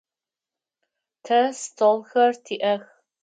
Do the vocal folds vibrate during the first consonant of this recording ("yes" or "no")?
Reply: no